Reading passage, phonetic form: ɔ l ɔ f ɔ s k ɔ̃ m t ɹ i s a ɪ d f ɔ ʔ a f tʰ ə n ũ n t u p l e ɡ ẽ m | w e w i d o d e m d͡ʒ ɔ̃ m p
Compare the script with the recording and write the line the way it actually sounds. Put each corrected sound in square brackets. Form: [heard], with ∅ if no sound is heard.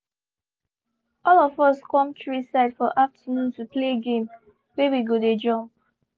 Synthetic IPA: ɔ l ɔ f ɔ s k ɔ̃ m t ɹ i s a ɪ d f ɔ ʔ a f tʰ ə n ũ n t u p l e ɡ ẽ m | w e w i [ɡ] o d e [∅] d͡ʒ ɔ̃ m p